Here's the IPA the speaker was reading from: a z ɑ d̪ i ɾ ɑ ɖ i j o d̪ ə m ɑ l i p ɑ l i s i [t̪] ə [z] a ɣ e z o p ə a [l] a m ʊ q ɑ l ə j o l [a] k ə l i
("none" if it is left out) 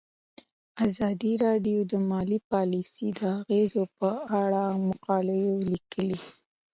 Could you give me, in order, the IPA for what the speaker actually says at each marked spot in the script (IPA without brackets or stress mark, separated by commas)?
d̪, none, ɽ, i